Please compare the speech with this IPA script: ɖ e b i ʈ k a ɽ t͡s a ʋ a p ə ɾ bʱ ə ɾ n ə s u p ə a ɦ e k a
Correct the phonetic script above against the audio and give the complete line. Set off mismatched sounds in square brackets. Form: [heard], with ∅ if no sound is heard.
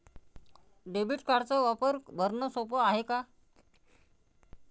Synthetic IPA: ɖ e b i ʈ k a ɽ t͡s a ʋ a p ə ɾ bʱ ə ɾ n ə s [o] p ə a ɦ e k a